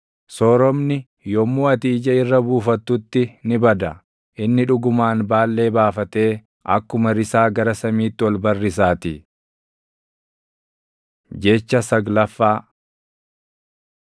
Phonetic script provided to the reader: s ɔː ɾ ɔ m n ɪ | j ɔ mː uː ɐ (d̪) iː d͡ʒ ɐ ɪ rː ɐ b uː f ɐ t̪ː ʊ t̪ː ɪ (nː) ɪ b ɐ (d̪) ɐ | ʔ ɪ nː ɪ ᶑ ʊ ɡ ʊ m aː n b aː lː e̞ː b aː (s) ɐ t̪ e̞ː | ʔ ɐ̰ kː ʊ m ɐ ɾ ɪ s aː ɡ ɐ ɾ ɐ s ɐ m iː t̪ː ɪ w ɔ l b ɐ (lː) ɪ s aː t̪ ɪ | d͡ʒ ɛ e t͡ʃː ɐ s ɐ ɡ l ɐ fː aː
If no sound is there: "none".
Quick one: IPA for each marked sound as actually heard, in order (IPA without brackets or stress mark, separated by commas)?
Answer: t̪, n, d̪, f, rː